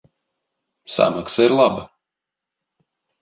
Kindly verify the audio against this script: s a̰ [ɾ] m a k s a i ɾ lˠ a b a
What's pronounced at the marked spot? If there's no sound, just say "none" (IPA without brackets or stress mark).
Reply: none